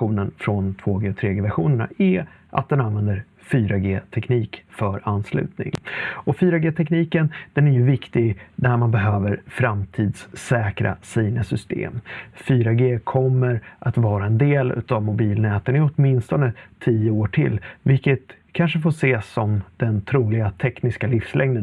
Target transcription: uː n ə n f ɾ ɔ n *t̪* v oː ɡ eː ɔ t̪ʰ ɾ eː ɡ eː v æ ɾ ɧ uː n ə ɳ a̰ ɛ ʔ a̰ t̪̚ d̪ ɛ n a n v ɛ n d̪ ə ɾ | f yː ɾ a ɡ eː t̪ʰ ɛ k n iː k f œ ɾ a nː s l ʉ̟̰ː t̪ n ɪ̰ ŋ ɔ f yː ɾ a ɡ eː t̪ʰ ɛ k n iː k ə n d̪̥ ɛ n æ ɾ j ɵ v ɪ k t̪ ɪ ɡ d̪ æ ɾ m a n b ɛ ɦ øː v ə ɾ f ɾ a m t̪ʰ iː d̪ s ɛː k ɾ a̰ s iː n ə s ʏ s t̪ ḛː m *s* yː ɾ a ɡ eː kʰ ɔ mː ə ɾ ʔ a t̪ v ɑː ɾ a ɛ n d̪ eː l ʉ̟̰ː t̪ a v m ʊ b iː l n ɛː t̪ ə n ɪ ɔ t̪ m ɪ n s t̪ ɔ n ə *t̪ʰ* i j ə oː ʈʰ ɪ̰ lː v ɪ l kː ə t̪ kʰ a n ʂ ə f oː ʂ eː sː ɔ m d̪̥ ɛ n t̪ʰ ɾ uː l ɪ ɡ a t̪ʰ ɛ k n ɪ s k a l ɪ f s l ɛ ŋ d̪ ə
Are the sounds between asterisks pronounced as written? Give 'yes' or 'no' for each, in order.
no, no, yes

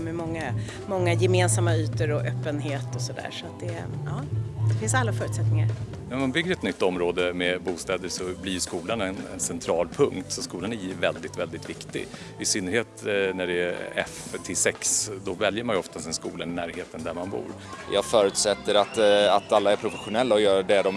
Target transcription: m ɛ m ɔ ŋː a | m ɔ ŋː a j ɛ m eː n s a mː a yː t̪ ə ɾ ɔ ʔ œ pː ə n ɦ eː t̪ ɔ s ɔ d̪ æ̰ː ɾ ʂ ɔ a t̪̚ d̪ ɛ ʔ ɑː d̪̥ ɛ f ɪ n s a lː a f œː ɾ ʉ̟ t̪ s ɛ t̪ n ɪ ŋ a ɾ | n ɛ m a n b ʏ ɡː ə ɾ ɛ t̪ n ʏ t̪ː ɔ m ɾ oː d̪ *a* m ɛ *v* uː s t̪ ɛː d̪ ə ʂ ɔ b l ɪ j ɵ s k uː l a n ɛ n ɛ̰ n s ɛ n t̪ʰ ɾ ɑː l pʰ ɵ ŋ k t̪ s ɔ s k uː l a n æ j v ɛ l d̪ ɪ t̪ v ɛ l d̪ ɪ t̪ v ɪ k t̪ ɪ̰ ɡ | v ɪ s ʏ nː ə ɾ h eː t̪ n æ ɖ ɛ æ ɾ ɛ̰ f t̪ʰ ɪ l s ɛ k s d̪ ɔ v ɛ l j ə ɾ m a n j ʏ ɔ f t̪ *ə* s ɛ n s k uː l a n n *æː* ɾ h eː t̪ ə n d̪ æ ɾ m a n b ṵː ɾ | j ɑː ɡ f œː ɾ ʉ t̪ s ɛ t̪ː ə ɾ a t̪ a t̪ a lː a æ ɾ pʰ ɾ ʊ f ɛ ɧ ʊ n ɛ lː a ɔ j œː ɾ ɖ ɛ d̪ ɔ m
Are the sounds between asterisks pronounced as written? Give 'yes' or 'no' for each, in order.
no, no, no, yes

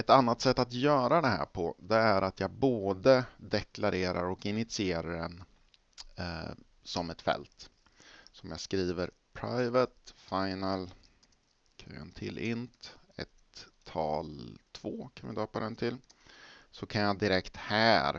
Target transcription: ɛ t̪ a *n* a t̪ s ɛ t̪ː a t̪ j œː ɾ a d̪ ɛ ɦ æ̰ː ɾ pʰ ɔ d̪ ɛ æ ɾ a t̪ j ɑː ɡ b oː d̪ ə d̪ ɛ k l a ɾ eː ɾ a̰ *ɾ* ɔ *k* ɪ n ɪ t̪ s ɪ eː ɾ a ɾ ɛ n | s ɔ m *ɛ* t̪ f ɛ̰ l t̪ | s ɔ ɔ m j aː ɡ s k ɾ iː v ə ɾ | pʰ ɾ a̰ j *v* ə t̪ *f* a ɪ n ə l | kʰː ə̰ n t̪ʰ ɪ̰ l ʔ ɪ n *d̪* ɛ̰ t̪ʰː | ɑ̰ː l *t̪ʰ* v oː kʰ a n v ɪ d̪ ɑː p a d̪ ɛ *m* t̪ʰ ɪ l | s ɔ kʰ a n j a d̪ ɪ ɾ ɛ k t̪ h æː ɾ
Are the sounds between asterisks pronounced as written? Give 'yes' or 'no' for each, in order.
no, yes, yes, yes, yes, yes, no, yes, no

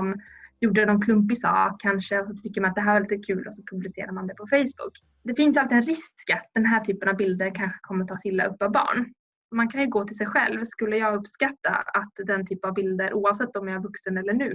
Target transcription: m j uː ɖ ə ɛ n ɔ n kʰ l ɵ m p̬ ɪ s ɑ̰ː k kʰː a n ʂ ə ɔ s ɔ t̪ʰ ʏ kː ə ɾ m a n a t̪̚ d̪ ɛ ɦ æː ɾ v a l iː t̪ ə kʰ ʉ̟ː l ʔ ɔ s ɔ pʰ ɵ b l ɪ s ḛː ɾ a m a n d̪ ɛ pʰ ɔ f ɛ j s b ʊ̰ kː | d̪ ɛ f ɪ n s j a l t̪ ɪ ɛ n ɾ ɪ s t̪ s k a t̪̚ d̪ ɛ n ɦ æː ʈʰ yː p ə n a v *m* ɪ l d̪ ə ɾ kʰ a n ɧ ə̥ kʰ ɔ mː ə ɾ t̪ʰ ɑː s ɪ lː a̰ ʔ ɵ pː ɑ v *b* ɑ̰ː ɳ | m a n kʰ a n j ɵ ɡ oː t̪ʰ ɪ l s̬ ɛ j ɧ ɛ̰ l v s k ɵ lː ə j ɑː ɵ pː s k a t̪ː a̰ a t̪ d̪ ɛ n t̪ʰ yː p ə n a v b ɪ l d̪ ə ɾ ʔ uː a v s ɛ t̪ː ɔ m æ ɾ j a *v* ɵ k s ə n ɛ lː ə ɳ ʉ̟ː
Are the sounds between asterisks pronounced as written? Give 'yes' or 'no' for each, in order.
no, yes, yes

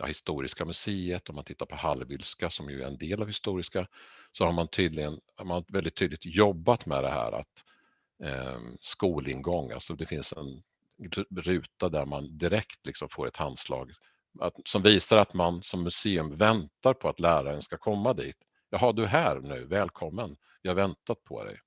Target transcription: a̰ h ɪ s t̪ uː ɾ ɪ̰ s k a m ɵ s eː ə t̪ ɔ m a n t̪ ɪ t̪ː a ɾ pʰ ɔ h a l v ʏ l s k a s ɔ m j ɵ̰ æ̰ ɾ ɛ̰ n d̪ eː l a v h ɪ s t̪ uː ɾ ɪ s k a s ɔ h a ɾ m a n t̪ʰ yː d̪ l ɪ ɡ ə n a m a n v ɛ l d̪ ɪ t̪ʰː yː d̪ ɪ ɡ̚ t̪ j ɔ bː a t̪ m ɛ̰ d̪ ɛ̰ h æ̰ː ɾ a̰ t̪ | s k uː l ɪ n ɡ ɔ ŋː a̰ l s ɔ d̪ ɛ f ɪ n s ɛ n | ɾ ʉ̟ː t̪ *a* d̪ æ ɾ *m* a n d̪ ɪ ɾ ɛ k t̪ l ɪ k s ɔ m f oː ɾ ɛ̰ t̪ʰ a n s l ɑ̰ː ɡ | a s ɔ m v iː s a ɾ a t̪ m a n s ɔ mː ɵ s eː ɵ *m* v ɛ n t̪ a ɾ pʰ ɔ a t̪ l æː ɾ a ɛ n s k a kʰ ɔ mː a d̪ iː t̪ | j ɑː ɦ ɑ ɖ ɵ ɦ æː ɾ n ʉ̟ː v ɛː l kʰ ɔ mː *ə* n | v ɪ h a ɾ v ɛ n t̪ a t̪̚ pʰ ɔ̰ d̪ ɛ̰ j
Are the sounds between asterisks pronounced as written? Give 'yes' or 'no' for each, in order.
yes, yes, yes, yes

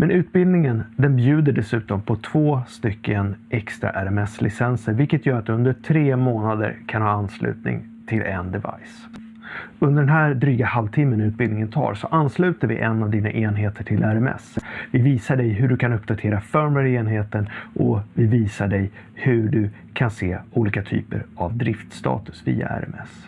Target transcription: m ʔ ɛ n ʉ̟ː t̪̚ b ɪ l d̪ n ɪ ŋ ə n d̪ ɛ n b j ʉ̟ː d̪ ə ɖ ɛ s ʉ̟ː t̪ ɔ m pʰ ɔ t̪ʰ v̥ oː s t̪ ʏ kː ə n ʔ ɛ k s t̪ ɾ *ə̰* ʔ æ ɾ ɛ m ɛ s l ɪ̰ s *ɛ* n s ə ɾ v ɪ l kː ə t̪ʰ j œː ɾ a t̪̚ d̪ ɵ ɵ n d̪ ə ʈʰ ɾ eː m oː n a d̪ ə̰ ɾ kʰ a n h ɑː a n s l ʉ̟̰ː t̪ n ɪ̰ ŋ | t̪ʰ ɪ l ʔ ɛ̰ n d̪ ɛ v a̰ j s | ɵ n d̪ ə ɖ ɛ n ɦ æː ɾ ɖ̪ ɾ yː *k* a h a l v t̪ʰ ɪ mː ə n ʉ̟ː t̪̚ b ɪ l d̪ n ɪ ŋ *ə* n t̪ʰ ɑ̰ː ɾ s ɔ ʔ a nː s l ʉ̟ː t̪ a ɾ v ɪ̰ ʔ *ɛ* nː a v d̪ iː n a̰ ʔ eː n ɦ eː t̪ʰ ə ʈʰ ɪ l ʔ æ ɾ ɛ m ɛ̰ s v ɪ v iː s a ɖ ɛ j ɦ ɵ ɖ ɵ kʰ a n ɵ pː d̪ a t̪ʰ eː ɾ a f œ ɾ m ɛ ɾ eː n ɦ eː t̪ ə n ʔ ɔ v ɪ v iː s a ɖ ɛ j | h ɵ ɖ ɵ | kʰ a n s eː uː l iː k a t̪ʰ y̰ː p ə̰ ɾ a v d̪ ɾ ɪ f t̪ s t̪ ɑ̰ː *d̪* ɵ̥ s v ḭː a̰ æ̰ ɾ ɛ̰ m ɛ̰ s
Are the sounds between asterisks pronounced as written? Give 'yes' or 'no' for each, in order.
no, yes, no, yes, yes, no

